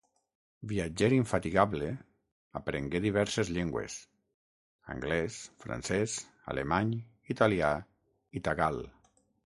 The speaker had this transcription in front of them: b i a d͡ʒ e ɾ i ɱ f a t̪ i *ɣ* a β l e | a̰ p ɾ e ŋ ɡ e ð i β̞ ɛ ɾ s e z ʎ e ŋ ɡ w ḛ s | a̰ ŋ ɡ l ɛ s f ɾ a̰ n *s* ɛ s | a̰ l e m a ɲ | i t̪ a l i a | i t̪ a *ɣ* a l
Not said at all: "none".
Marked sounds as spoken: ɣ, s, ɣ

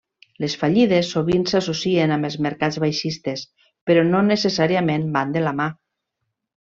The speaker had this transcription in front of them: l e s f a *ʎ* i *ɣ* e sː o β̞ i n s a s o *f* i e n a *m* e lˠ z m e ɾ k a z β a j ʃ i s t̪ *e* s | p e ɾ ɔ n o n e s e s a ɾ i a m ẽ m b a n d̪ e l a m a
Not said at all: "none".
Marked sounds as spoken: ʎ, ð, s, m, e

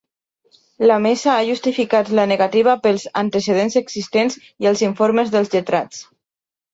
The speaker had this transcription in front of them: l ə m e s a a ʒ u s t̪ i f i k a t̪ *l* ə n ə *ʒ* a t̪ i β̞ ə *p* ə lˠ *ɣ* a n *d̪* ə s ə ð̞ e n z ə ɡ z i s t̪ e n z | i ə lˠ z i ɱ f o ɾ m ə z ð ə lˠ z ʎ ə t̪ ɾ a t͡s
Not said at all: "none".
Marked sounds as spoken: l, ɣ, p, z, t̪

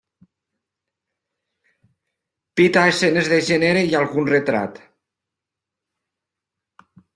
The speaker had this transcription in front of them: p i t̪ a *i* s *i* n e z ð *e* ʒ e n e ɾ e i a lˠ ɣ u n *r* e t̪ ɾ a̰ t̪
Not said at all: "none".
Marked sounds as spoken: e, e, e, r

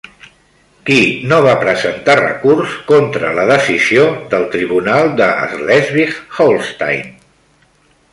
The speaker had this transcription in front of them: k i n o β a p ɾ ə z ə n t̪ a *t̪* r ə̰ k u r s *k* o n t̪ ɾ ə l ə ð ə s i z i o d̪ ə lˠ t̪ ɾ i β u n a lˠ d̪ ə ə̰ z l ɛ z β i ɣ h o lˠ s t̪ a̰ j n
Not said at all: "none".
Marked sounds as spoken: none, k

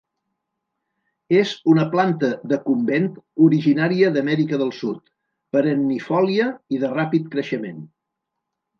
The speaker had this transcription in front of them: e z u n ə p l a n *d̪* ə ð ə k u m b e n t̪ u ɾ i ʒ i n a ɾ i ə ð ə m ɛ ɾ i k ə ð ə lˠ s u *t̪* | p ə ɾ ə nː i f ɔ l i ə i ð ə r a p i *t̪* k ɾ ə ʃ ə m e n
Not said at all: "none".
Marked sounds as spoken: t̪, t̪, t̪

